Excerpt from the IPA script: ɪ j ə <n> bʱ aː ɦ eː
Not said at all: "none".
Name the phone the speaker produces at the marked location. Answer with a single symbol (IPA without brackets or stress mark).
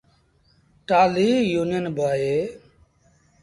n